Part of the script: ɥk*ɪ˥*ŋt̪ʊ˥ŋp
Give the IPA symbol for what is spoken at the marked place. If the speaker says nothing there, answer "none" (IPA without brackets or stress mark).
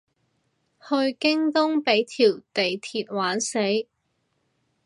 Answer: ɪ˥